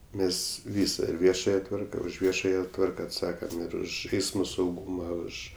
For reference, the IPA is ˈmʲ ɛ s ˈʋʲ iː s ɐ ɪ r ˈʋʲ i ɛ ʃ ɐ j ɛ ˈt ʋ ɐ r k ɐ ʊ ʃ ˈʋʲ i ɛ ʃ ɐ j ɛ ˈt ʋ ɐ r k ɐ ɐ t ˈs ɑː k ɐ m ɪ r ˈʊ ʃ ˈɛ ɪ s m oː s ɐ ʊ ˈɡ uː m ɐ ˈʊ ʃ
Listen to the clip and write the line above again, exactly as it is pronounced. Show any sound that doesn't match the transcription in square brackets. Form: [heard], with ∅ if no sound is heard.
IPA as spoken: ˈmʲ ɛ s ˈʋʲ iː s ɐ ɪ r ˈʋʲ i ɛ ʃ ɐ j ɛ ˈt ʋ ɐ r k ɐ ʊ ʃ ˈʋʲ i ɛ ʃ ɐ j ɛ ˈt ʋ ɐ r k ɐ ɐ t ˈs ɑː k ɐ m ɪ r ˈʊ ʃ ˈɛ ɪ s m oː s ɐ ʊ ˈɡ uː m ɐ ˈʊ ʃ